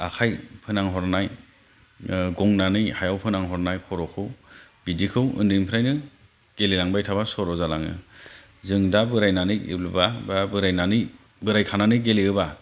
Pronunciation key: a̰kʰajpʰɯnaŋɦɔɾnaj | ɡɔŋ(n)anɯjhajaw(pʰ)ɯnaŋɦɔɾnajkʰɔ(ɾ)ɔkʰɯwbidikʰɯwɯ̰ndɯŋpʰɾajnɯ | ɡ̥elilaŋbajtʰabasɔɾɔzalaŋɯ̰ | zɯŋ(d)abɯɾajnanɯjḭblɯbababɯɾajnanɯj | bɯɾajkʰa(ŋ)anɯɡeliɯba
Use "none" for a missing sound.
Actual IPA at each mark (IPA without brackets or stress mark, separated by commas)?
n, pʰ, ɾ, d, n